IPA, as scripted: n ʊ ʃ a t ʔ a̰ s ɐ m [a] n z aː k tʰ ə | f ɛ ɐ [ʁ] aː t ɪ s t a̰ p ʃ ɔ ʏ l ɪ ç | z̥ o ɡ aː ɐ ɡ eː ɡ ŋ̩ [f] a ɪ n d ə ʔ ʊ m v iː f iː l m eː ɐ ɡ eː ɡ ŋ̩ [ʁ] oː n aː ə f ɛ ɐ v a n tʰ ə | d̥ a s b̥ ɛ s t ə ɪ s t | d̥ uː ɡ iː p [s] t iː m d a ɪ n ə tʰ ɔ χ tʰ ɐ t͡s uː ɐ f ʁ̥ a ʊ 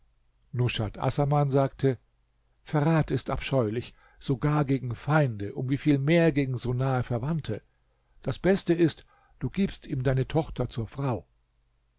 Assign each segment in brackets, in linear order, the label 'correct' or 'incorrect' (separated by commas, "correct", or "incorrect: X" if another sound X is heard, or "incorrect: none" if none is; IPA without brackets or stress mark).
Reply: correct, correct, correct, incorrect: z, correct